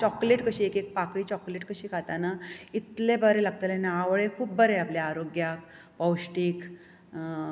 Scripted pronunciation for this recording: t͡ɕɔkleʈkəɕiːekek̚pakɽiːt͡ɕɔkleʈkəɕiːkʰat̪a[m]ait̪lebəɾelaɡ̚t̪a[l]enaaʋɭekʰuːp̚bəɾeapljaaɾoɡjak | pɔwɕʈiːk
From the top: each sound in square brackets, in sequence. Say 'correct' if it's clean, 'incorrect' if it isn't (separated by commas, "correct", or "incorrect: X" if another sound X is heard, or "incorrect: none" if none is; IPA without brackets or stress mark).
incorrect: n, correct